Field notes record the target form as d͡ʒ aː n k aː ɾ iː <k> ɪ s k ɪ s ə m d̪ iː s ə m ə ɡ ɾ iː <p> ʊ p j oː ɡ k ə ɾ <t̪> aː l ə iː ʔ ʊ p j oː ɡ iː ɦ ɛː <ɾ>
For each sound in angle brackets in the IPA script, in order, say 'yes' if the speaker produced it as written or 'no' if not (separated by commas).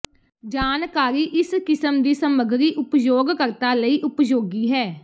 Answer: no, no, yes, no